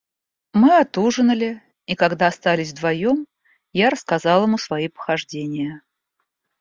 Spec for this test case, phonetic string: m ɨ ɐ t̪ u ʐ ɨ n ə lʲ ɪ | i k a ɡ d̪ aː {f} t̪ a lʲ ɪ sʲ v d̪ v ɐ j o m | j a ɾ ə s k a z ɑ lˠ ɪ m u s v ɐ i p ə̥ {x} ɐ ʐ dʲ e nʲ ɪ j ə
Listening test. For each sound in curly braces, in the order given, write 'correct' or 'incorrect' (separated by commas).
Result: incorrect, correct